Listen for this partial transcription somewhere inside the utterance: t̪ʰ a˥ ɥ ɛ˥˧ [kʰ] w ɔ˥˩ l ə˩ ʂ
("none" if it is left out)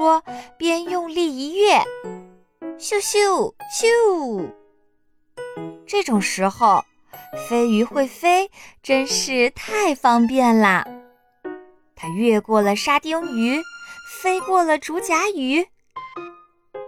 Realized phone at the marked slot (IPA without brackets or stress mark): k